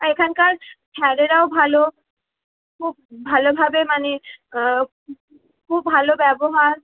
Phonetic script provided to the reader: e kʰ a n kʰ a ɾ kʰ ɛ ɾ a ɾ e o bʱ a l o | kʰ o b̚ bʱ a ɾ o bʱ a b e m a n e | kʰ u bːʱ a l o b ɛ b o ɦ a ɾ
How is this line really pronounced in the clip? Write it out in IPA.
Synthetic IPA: e kʰ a n k a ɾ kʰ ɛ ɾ e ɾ a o bʱ a l o | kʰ u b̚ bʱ a l o bʱ a b e m a n e | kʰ u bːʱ a l o b ɛ b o ɦ a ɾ